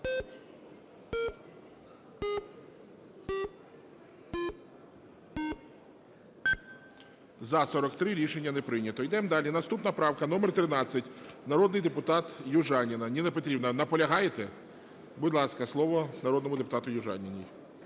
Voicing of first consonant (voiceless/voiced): voiced